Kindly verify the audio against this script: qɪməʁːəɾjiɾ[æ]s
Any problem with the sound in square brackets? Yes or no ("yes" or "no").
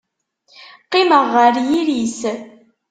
yes